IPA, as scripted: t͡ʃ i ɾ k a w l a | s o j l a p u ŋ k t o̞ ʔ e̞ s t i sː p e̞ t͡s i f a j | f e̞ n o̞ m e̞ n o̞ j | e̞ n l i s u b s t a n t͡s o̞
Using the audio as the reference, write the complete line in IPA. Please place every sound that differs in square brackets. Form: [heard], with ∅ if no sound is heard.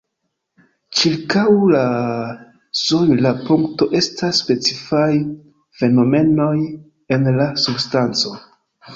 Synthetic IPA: t͡ʃ i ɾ k a w l a | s o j l a p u ŋ k t o̞ ʔ e̞ s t [a] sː p e̞ t͡s i f a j | f e̞ n o̞ m e̞ n o̞ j | e̞ n l [a] s u b s t a n t͡s o̞